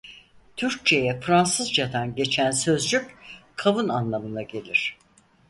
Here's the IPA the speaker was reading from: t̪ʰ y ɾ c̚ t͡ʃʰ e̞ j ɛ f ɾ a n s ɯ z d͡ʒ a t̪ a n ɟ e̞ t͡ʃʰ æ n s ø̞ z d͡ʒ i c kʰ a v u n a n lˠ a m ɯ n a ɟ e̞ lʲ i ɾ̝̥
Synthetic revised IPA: t̪ʰ y ɾ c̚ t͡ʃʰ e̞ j ɛ f ɾ a n s ɯ z d͡ʒ a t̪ a n ɟ e̞ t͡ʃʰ æ n s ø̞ z d͡ʒ y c kʰ a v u n a n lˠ a m ɯ n a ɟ e̞ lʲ i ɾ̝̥